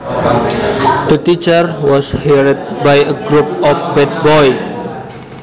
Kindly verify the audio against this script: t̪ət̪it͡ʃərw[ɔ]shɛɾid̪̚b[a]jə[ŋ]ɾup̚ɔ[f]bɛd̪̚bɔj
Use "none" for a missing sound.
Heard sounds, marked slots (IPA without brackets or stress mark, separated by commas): ɔ, a, ɡ, f